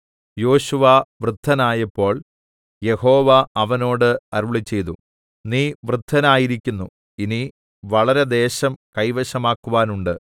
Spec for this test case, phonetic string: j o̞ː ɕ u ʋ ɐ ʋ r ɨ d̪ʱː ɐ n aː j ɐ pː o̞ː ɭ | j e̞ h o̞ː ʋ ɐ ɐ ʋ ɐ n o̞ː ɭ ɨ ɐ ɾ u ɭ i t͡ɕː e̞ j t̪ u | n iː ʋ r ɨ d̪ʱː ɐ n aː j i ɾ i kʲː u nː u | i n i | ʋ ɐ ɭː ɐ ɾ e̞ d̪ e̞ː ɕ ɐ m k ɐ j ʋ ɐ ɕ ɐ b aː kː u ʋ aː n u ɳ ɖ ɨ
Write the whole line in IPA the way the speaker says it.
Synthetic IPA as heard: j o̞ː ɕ u ʋ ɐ ʋ r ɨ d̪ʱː ɐ n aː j ɐ pː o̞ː ɭ | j e̞ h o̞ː ʋ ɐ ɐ ʋ ɐ n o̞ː ɽ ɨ ɐ ɾ u ɭ i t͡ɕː e̞ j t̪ u | n iː ʋ r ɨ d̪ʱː ɐ n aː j i ɾ i kʲː u nː u | i n i | ʋ ɐ ɭ ɐ ɾ e̞ d̪ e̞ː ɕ ɐ m k ɐ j ʋ ɐ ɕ ɐ m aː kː u ʋ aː n u ɳ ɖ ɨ